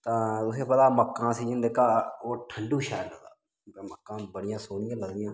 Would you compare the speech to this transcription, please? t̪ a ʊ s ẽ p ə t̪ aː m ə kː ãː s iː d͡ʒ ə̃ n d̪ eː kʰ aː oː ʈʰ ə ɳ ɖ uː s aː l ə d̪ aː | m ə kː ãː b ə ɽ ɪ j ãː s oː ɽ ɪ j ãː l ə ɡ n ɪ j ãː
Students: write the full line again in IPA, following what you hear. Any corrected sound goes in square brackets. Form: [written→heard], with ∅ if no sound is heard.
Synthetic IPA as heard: t̪ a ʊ s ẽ p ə t̪ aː m ə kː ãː s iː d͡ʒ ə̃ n d̪ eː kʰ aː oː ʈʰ ə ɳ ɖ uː [s→ʃ] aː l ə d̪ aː | m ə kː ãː b ə ɽ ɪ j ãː s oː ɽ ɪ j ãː l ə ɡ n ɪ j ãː

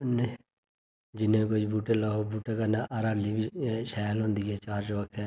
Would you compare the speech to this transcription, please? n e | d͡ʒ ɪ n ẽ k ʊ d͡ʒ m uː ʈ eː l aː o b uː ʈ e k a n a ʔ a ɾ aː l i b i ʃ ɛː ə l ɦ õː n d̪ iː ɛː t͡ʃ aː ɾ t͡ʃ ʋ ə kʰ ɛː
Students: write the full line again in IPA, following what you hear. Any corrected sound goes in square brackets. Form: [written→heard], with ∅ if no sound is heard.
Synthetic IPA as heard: n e | d͡ʒ ɪ n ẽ k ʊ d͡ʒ [m→b] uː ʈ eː l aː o b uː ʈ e k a n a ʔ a ɾ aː l i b i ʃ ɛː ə l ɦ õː n d̪ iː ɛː t͡ʃ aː ɾ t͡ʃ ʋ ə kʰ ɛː

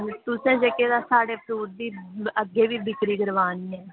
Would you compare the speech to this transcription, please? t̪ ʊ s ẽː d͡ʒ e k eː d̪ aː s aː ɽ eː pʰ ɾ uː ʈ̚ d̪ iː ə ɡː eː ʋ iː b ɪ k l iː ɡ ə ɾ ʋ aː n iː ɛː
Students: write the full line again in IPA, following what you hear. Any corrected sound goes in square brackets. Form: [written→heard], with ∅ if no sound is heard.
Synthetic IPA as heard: t̪ ʊ s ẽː d͡ʒ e k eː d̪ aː s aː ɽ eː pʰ ɾ uː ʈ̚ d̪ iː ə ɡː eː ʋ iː b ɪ k [l→ɾ] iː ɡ ə ɾ ʋ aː n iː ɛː

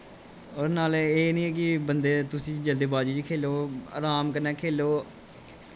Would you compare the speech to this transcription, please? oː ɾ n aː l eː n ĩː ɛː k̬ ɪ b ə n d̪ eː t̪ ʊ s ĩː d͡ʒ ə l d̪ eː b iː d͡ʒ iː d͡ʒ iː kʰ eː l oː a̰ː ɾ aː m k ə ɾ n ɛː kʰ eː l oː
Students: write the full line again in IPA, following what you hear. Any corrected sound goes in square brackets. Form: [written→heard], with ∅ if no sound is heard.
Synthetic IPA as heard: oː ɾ n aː l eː n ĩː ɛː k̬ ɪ b ə n d̪ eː t̪ ʊ s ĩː d͡ʒ ə l d̪ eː b [iː→aː] d͡ʒ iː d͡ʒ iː kʰ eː l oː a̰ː ɾ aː m k ə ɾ n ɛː kʰ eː l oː

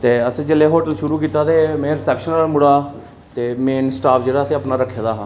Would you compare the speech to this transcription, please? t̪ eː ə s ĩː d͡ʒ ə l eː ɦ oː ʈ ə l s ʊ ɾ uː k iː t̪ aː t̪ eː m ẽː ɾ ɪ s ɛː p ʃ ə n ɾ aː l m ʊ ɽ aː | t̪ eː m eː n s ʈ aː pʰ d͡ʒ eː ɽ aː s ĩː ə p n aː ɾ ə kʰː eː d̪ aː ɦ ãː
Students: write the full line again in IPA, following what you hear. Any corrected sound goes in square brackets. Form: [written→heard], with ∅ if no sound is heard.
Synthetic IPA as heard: t̪ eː ə s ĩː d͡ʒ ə l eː ɦ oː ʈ ə l [s→ʃ] ʊ ɾ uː k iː t̪ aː t̪ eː m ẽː ɾ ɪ s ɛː p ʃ ə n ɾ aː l m ʊ ɽ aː | t̪ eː m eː n s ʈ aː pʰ d͡ʒ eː ɽ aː s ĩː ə p n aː ɾ ə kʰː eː d̪ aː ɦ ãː

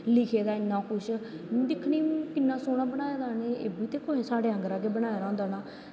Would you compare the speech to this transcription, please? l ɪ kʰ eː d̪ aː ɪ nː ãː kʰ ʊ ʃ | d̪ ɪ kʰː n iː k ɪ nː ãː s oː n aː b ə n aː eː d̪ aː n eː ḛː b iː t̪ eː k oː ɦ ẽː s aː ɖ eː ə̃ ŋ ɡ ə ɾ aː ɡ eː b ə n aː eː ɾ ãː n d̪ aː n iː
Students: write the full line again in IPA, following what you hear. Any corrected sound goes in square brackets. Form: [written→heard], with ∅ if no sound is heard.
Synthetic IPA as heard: l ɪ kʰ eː d̪ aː ɪ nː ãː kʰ ʊ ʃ | d̪ ɪ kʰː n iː k ɪ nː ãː s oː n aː b ə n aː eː d̪ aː n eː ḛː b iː t̪ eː k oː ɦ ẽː s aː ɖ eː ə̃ ŋ ɡ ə ɾ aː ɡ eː b ə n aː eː ɾ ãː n d̪ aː n [iː→aː]

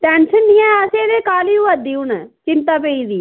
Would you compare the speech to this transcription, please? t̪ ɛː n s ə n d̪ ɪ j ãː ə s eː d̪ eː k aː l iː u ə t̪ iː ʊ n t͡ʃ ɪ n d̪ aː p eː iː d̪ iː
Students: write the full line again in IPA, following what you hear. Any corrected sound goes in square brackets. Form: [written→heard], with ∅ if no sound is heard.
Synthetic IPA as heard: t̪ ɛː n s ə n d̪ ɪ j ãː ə s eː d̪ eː k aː l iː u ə [t̪→d̪] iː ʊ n t͡ʃ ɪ n [d̪→t̪] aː p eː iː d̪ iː

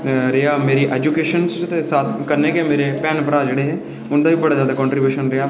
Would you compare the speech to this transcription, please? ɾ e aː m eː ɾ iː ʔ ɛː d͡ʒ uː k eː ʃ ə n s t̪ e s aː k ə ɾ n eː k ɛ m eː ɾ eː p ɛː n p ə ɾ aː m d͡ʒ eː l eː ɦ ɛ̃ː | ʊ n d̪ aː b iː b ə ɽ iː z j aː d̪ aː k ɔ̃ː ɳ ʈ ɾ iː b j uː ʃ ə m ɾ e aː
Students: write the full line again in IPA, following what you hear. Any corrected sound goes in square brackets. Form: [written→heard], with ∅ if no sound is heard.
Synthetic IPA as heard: ɾ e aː m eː ɾ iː ʔ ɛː d͡ʒ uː k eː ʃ ə n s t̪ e s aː k ə ɾ n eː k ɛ m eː ɾ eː p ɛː n p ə ɾ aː [m→∅] d͡ʒ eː [l→ɽ] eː ɦ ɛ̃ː | ʊ n d̪ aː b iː b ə ɽ [iː→aː] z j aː d̪ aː k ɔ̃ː ɳ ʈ ɾ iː b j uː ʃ ə [m→n] ɾ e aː

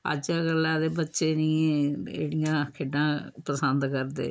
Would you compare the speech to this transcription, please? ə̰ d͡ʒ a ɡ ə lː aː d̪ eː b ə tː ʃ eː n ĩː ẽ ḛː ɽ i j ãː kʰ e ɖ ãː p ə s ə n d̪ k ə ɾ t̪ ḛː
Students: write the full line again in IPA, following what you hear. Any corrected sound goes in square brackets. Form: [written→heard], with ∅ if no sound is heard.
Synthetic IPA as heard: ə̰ d͡ʒ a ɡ ə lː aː d̪ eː b ə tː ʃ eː n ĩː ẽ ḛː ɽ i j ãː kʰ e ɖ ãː p ə s ə n d̪ k ə ɾ [t̪→d̪] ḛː

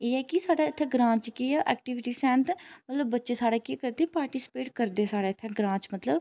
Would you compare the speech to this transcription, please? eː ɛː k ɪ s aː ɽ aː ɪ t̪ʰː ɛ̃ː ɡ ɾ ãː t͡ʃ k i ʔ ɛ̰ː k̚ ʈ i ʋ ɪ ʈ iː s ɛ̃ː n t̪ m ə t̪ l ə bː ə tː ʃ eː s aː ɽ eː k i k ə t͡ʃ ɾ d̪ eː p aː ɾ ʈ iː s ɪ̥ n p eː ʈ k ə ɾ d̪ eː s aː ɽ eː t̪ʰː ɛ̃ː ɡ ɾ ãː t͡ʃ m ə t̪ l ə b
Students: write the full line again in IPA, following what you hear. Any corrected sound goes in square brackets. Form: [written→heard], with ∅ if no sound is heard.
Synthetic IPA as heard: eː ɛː k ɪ s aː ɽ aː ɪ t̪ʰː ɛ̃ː ɡ ɾ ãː t͡ʃ k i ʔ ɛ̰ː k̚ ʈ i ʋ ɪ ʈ iː s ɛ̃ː n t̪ m ə t̪ l ə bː ə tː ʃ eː s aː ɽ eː k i k ə [t͡ʃ→∅] ɾ d̪ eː p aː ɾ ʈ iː s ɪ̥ [n→∅] p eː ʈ k ə ɾ d̪ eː s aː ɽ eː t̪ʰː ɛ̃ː ɡ ɾ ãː t͡ʃ m ə t̪ l ə b

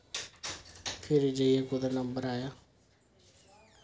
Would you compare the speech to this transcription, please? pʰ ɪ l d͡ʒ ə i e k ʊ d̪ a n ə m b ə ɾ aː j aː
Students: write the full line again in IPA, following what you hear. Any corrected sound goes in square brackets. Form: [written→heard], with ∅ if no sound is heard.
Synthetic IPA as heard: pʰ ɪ [l→ɾ] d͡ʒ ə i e k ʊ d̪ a n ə m b ə ɾ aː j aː

